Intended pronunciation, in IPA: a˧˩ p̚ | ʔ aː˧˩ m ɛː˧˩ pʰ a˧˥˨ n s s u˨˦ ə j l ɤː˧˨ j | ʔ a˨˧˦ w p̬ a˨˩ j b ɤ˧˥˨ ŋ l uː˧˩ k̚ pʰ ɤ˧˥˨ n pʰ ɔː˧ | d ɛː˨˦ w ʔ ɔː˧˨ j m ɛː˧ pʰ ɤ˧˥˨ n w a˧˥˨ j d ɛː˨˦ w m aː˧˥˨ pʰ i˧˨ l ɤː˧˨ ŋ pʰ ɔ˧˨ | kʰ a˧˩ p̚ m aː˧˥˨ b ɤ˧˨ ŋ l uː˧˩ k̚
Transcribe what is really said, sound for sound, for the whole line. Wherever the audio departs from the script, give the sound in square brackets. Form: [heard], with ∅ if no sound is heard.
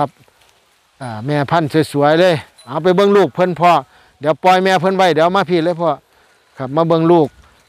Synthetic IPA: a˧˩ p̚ | ʔ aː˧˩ m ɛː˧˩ pʰ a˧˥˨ n s s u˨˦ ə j l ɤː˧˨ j | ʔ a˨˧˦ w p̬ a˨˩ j b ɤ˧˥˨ ŋ l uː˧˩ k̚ pʰ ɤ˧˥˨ n pʰ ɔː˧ | d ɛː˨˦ w [p] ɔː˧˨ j m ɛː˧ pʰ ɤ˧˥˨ n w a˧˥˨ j d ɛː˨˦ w m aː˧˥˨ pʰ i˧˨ l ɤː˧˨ [∅] pʰ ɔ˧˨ | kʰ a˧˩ p̚ m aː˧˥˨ b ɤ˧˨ ŋ l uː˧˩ k̚